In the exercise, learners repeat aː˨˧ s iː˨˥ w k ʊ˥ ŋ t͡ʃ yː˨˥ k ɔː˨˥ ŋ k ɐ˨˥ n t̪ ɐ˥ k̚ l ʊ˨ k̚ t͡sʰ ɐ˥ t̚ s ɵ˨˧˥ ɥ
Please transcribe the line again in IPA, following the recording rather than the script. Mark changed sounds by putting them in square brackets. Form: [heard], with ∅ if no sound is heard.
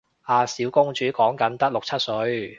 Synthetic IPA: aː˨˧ s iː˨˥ w k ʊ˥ ŋ t͡ʃ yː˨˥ k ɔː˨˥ ŋ k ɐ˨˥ n t̪ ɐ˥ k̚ l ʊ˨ k̚ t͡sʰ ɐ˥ t̚ s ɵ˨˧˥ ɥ